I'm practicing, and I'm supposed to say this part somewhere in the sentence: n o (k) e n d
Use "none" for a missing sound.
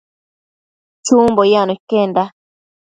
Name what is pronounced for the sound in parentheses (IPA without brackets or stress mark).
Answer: k